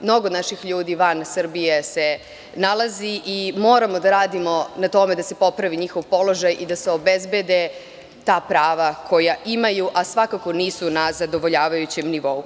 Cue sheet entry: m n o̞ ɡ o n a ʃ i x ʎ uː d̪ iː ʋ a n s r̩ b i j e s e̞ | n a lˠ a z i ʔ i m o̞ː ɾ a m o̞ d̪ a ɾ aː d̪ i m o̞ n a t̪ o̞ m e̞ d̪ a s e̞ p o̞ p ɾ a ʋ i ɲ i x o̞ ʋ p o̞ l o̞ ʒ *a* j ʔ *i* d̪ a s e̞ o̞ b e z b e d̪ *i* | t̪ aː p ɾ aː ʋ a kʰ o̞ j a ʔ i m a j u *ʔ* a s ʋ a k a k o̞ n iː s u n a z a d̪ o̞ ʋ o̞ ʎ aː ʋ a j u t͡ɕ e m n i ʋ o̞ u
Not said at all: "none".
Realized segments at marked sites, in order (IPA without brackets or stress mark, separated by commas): a, i, e, ʔ